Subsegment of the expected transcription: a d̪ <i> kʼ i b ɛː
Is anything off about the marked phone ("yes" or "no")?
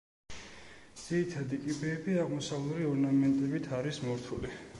no